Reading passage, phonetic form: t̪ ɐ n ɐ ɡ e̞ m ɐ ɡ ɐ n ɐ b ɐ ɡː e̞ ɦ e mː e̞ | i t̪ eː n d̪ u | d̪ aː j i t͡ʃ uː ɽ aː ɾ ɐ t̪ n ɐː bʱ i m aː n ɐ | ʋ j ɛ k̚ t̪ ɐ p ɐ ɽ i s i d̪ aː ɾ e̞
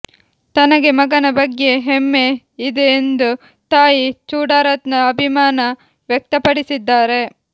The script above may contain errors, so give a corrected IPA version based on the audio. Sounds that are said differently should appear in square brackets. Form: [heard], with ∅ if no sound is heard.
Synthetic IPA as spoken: t̪ ɐ n ɐ ɡ e̞ m ɐ ɡ ɐ n ɐ b ɐ ɡː e̞ ɦ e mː e̞ | i [d̪] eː n d̪ u | [t̪] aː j i t͡ʃ uː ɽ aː ɾ ɐ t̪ n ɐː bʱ i m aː n ɐ | ʋ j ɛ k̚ t̪ ɐ p ɐ ɽ i s i [d̪ː] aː ɾ e̞

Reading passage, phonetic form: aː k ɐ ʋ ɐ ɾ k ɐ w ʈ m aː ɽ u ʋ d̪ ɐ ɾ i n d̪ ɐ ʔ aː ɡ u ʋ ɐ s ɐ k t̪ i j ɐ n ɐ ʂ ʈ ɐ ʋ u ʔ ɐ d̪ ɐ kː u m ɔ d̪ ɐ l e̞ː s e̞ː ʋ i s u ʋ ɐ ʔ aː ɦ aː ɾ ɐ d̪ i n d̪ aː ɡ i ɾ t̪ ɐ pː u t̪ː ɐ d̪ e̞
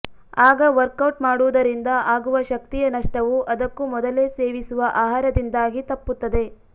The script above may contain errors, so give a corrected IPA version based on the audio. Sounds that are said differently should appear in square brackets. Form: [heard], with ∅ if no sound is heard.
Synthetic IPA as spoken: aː [ɡ] ɐ ʋ ɐ ɾ k ɐ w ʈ m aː ɽ u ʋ d̪ ɐ ɾ i n d̪ ɐ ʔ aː ɡ u ʋ ɐ [ʃ] ɐ k t̪ i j ɐ n ɐ ʂ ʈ ɐ ʋ u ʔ ɐ d̪ ɐ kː u m ɔ d̪ ɐ l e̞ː s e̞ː ʋ i s u ʋ ɐ ʔ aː ɦ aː ɾ ɐ d̪ i n d̪ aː ɡ i [∅] t̪ ɐ pː u t̪ː ɐ d̪ e̞

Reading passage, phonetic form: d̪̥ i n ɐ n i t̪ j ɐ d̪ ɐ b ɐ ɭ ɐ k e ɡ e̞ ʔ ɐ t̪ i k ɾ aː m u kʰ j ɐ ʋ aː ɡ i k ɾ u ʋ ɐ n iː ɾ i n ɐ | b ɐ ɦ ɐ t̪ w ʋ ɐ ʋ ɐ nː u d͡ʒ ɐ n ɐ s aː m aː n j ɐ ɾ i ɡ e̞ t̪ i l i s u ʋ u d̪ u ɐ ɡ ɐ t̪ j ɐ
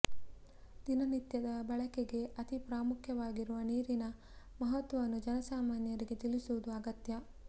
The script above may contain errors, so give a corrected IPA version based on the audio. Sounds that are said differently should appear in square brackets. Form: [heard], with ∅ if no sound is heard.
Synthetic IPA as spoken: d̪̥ i n ɐ n i t̪ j ɐ d̪ ɐ b ɐ ɭ ɐ k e ɡ e̞ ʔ ɐ t̪ i [p] ɾ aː m u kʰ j ɐ ʋ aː ɡ i [∅] ɾ u ʋ ɐ n iː ɾ i n ɐ | [m] ɐ ɦ ɐ t̪ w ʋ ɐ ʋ ɐ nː u d͡ʒ ɐ n ɐ s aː m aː n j ɐ ɾ i ɡ e̞ t̪ i l i s u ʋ u d̪ u ɐ ɡ ɐ t̪ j ɐ

